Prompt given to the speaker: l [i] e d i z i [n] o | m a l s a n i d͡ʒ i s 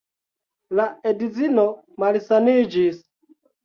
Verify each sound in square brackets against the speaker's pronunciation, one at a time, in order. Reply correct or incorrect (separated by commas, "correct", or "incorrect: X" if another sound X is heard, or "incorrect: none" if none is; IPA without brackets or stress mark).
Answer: incorrect: a, correct